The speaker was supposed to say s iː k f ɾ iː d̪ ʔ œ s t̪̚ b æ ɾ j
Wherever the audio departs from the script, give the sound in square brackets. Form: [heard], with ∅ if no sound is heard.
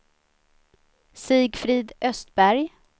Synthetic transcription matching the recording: s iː [ɡ] f ɾ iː d̪ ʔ œ s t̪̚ b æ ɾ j